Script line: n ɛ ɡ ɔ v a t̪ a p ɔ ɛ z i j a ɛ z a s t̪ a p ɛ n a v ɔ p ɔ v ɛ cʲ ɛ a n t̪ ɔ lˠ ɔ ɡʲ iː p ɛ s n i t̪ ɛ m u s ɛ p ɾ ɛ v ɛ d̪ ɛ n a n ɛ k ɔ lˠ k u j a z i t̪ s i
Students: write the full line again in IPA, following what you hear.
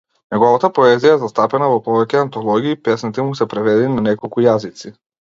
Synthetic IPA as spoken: n ɛ ɡ ɔ v a t̪ a p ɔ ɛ z i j a ɛ z a s t̪ a p ɛ n a v ɔ p ɔ v ɛ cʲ ɛ a n t̪ ɔ lˠ ɔ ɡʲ iː p ɛ s n i t̪ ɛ m u s ɛ p ɾ ɛ v ɛ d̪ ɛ n a n ɛ k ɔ lˠ k u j a z i t̪ s i